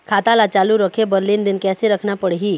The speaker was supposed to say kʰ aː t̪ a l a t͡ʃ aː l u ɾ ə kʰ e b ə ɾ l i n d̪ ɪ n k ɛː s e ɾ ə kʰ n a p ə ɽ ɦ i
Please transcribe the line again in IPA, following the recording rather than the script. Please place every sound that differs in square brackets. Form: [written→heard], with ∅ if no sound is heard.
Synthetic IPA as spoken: kʰ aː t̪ a l a t͡ʃ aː l u ɾ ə kʰ e b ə ɾ l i n d̪ ɪ n k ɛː s e ɾ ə kʰ n a p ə ɽ ɦ i

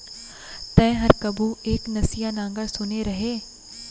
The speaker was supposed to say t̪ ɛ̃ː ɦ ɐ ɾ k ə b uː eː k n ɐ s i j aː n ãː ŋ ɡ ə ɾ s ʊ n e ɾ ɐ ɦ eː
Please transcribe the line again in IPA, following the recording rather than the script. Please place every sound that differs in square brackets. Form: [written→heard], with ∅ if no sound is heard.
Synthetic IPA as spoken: t̪ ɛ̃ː ɦ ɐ ɾ k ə b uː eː k n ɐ s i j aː n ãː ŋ ɡ ə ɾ s ʊ n e ɾ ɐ ɦ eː

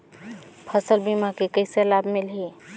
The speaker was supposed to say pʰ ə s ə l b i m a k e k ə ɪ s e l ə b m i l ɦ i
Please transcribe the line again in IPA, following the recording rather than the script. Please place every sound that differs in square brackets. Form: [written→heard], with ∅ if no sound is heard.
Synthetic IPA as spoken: pʰ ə s ə l b i m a k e k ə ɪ s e l [ə→a] b m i l ɦ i

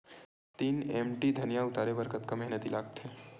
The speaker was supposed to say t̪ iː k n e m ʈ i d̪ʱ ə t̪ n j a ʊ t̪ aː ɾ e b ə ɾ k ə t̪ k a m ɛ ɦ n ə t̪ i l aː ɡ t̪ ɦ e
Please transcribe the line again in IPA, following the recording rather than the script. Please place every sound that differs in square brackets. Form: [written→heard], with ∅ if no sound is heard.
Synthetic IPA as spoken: t̪ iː [k→∅] n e m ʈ i d̪ʱ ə [t̪→∅] n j a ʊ t̪ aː ɾ e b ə ɾ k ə t̪ k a m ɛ ɦ n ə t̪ i l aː ɡ t̪ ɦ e

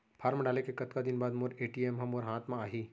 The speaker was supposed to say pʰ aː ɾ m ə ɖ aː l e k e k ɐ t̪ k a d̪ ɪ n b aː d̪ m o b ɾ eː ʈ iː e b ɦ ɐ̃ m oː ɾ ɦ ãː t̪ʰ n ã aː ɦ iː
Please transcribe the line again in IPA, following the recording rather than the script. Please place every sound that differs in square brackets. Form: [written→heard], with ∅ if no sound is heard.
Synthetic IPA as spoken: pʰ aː ɾ m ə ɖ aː l e k e k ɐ t̪ k a d̪ ɪ n b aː d̪ m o [b→∅] ɾ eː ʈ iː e [b→m] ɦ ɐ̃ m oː ɾ ɦ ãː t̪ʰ [n→m] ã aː ɦ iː

